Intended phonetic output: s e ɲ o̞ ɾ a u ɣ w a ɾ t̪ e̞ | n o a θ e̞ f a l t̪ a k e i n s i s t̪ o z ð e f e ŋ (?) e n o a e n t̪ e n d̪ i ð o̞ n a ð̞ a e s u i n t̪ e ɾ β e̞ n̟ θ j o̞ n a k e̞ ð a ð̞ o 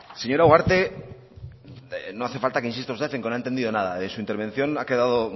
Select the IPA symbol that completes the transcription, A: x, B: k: B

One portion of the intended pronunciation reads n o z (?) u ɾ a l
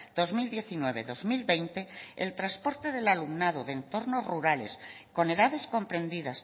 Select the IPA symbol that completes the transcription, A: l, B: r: B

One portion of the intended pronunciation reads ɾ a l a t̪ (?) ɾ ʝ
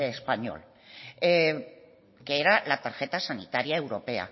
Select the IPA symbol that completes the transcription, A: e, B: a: B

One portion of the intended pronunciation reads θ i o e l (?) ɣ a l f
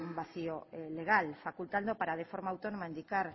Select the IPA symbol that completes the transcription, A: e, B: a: A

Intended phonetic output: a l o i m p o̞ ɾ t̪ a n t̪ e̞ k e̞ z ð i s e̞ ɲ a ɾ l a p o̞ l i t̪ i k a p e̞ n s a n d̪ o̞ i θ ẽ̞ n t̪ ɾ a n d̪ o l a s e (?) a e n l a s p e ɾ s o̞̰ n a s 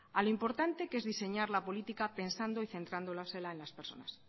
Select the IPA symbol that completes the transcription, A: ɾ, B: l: B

